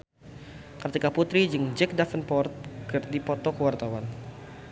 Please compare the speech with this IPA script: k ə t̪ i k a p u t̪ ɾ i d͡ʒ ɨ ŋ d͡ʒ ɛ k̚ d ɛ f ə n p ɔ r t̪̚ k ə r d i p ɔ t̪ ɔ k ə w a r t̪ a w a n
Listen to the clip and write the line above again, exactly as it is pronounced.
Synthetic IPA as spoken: k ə t̪ i k a p u t̪ ɾ i d͡ʒ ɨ ŋ d͡ʒ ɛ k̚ d a f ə n p ɔ r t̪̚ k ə r d i p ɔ t̪ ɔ k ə w a r t̪ a w a n

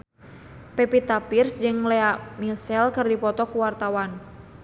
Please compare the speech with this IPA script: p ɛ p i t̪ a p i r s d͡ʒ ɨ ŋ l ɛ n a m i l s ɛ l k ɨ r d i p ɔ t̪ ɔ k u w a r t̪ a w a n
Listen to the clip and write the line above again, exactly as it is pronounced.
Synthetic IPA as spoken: p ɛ p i t̪ a p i r s d͡ʒ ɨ ŋ l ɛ a m i l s ɛ l k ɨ r d i p ɔ t̪ ɔ k u w a r t̪ a w a n

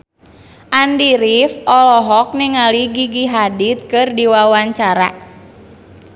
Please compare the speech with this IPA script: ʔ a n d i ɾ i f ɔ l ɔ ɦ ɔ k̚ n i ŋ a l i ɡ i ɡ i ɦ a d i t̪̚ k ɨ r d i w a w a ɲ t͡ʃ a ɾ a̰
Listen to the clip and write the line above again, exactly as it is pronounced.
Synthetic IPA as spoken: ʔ a n d i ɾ i f ɔ l ɔ ɦ ɔ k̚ n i ŋ a l i ɡ i ɡ i ɦ a d i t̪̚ k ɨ r d i w a w a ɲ t͡ʃ a ɾ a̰

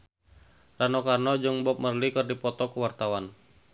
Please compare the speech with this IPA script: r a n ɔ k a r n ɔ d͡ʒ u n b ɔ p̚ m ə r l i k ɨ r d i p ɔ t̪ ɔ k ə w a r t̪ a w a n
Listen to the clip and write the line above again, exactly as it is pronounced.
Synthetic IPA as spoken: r a n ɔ k a r n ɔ d͡ʒ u ŋ b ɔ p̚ m ə r l i k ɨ r d i p ɔ t̪ ɔ k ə w a r t̪ a w a n

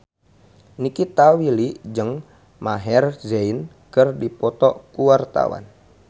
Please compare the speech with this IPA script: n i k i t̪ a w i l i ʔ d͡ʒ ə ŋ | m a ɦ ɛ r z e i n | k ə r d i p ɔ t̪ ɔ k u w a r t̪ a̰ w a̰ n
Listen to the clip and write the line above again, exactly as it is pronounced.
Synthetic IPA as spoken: n i k i t̪ a w i l i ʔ d͡ʒ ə ŋ | m a ɦ ɛ r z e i n | k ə r d i p ɔ t̪ ɔ k u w a r t̪ a̰ w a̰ n

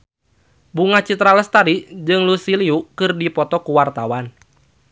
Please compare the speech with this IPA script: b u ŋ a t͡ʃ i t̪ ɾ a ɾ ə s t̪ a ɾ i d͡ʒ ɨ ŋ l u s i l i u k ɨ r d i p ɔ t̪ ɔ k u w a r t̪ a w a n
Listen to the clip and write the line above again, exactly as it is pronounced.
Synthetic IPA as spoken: b u ŋ a t͡ʃ i t̪ ɾ a l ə s t̪ a ɾ i d͡ʒ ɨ ŋ l u s i l i u k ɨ r d i p ɔ t̪ ɔ k u w a r t̪ a w a n

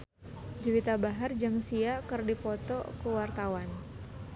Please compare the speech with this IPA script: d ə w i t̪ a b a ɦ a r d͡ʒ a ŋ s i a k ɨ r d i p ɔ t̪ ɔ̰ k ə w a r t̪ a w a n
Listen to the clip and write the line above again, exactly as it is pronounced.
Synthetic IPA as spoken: d͡ʒ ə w i t̪ a b a ɦ a r d͡ʒ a ŋ s i a k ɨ r d i p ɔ t̪ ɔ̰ k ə w a r t̪ a w a n

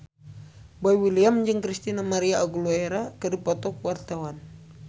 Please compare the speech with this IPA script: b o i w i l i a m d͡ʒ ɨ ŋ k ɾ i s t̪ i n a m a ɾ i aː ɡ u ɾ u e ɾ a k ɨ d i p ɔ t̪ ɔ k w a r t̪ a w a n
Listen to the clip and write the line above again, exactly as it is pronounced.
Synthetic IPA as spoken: b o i w i l i a m d͡ʒ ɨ ŋ k ɾ i s t̪ i n a m a ɾ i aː ɡ u l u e ɾ a k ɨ d i p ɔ t̪ ɔ k w a r t̪ a w a n

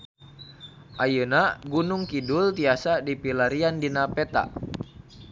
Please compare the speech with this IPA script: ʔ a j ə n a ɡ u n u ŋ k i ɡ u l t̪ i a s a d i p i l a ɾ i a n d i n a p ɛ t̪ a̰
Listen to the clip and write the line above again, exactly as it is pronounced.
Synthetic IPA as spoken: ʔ a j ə n a ɡ u n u ŋ k i d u l t̪ i a s a d i p i l a ɾ i a n d i n a p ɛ t̪ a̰

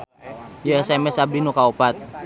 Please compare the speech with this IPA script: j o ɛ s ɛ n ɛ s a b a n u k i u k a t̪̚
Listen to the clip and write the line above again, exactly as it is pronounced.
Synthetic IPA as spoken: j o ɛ s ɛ m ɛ s a b i n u k a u p a t̪̚

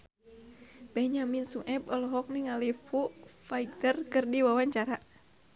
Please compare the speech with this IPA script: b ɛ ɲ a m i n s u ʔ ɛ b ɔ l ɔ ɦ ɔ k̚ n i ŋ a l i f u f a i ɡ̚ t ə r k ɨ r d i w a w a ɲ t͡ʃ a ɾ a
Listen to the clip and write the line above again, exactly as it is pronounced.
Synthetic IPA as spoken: b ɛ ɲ a m i n s u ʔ ɛ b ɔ l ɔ ɦ ɔ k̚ n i ŋ a l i f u f a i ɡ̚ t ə r k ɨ r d i w a w a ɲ t͡ʃ a ɾ a

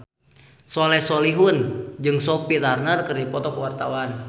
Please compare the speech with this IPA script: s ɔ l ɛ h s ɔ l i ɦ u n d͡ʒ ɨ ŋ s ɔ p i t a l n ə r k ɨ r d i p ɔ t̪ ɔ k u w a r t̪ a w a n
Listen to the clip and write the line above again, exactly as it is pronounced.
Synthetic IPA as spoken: s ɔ l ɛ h s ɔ l i ɦ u n d͡ʒ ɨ ŋ s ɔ p i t a r n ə r k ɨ r d i p ɔ t̪ ɔ k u w a r t̪ a w a n

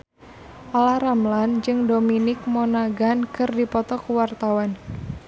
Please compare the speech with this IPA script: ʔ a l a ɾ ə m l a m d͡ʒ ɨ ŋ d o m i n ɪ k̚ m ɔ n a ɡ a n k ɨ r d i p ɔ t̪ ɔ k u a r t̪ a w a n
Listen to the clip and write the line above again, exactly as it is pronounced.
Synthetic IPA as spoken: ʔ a l a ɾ a m l a n d͡ʒ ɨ ŋ d o m i n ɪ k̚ m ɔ n a ɡ a n k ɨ r d i p ɔ t̪ ɔ k w a r t̪ a w a n

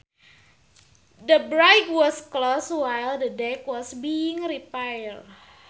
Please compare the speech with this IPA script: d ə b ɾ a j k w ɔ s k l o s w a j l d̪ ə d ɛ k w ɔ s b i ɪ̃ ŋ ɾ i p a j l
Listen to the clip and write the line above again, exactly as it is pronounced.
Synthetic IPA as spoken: d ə b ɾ a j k w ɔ s k l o s w a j l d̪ ə d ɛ k w ɔ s b i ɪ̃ ŋ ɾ i p a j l

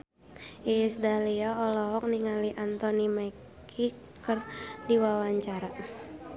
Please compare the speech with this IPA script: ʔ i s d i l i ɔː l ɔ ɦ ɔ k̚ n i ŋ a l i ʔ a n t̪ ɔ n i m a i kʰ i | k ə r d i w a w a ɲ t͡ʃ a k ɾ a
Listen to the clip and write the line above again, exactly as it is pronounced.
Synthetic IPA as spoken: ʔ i s d a l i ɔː l ɔ ɦ ɔ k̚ n i ŋ a l i ʔ a n t̪ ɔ n i m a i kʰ i | k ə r d i w a w a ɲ t͡ʃ a ɾ a

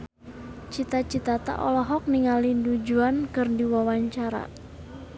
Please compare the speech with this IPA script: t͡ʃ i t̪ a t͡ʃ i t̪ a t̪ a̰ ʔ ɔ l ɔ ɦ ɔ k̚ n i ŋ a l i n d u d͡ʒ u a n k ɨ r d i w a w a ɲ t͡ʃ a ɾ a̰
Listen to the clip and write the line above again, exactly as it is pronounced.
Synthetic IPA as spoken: t͡ʃ i t̪ a t͡ʃ i t̪ a t̪ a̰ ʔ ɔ l ɔ ɦ ɔ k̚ n i ŋ a l i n d u d͡ʒ u a n k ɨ r d i w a w a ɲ t͡ʃ a ɾ a̰

